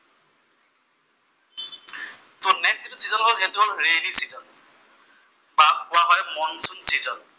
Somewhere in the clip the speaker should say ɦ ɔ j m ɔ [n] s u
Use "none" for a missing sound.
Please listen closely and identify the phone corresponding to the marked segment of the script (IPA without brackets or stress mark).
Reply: n